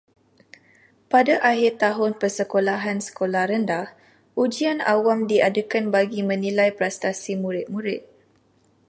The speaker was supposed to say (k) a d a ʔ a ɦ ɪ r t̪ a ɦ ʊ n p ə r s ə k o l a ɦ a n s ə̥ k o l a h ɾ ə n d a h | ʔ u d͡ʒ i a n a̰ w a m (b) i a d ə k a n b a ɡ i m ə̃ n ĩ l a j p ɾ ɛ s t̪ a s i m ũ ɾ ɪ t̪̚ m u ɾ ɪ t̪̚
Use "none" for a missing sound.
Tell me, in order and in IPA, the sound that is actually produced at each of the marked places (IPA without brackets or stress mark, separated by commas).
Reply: p, d